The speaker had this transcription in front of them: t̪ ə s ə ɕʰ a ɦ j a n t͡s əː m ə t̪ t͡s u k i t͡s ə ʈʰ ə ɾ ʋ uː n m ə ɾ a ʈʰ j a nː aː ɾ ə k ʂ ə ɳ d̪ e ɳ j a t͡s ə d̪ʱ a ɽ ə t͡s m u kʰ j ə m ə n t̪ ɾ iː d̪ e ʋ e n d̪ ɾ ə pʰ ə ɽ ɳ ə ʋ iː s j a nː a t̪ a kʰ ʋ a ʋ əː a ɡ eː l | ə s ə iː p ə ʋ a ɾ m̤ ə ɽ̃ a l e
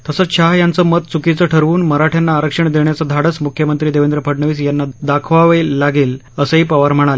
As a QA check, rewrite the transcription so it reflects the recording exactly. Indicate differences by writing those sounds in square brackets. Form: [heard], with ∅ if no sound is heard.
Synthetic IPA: t̪ ə s ə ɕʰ a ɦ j a n t͡s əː m ə t̪ t͡s u k i t͡s ə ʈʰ ə ɾ ʋ uː n m ə ɾ a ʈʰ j a nː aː ɾ ə k ʂ ə ɳ d̪ e ɳ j a t͡s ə d̪ʱ a ɽ ə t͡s m u kʰ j ə m ə n t̪ ɾ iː d̪ e ʋ e n d̪ ɾ ə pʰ ə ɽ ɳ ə ʋ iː s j a nː a [d̪] a kʰ ʋ a ʋ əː a ɡ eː l | ə s ə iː p ə ʋ a ɾ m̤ ə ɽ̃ a l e